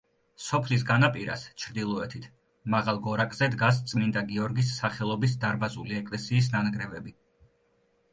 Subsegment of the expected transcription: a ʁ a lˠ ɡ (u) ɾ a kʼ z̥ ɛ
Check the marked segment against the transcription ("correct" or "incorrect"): incorrect